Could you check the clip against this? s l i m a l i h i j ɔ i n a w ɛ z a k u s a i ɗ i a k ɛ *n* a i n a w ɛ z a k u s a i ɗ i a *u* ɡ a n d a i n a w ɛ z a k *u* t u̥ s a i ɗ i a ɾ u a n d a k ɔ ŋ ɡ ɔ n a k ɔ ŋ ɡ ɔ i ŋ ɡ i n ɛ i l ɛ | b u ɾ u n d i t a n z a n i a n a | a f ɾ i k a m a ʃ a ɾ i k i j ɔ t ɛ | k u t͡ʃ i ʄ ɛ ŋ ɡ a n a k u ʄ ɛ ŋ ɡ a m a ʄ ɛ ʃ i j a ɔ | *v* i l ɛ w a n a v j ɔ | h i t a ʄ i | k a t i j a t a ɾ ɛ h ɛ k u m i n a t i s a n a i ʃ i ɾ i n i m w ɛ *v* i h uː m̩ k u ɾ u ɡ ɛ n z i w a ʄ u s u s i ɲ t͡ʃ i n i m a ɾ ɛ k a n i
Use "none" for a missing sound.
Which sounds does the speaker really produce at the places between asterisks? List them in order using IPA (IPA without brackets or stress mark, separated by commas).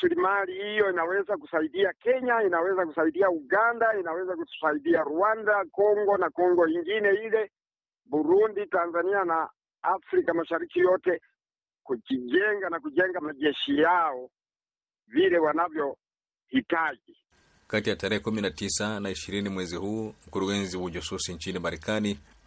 ɲ, u, u, v, z